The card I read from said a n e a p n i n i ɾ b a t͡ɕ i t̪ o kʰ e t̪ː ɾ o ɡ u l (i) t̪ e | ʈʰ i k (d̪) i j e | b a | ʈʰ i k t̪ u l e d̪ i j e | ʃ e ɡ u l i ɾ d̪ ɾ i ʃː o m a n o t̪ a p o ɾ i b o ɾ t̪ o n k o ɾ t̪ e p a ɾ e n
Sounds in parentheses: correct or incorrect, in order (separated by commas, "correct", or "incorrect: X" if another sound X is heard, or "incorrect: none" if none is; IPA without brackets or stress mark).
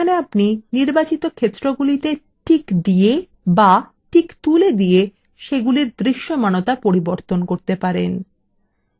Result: correct, correct